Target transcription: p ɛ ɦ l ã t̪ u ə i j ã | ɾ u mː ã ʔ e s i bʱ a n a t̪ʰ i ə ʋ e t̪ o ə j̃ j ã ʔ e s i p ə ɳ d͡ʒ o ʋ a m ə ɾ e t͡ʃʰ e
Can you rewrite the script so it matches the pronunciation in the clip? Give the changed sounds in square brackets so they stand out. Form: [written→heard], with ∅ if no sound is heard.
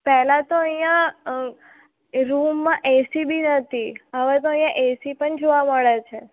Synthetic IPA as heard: p ɛ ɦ l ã t̪ [u→o] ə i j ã | ɾ u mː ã ʔ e s i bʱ [a→i] n [a→ə] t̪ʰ i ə ʋ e t̪ o ə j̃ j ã ʔ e s i p ə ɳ d͡ʒ o ʋ a m ə [ɾ→ɭ] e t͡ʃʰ e